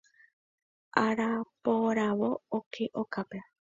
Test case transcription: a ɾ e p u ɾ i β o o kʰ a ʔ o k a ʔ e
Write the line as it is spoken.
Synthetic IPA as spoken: a ɾ a p o ɾ a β o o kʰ e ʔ o k a p e